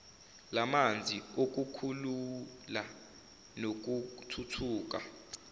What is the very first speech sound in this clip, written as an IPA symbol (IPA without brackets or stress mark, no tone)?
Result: l